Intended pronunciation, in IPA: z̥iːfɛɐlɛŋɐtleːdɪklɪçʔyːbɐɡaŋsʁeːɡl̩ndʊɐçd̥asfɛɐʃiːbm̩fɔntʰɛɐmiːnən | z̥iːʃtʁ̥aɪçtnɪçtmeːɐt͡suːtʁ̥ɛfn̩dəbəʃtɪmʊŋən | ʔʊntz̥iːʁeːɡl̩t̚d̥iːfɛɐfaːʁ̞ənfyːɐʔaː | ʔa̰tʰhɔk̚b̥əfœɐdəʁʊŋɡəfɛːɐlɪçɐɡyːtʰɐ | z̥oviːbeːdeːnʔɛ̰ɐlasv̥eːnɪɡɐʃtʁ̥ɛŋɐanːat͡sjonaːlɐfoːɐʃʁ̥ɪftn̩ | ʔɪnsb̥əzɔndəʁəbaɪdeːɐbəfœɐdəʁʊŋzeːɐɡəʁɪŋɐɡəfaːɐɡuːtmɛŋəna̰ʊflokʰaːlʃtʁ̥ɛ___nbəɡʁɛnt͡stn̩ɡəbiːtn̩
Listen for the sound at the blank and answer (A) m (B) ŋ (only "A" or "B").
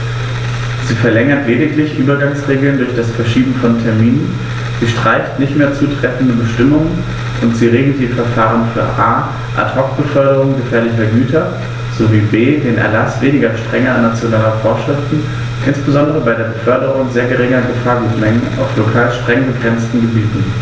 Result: B